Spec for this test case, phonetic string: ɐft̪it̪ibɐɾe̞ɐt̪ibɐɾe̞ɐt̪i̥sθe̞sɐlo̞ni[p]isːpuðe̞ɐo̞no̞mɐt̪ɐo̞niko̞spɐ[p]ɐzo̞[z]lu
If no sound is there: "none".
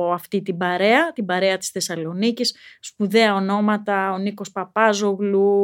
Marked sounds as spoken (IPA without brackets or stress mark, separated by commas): c, p, ɣ